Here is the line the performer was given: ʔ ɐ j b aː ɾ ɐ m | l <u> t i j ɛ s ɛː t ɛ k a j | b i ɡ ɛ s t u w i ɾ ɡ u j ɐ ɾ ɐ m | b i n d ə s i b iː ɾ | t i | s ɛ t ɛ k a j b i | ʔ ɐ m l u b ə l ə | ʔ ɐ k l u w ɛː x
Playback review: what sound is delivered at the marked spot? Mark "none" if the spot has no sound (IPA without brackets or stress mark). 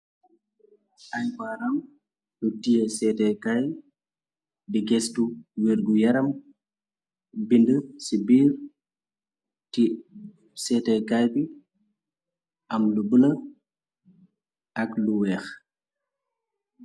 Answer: u